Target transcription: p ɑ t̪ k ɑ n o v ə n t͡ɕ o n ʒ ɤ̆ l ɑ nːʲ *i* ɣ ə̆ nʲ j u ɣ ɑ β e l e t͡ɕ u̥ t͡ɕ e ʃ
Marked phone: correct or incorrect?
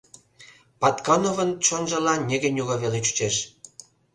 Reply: incorrect